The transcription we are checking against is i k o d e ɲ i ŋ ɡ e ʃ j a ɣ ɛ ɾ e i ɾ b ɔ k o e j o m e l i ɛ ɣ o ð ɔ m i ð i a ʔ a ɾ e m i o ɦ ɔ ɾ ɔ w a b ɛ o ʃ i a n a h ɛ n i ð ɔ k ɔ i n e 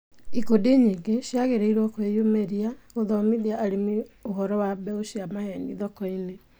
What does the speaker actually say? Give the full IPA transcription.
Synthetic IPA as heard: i k o d e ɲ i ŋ ɡ e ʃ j a ɣ e ɾ e i ɾ w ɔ k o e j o m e ɾ i a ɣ o ð ɔ m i ð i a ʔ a ɾ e m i o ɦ ɔ ɾ ɔ w a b ɛ o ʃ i a m a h ɛ n i ð ɔ k ɔ i n e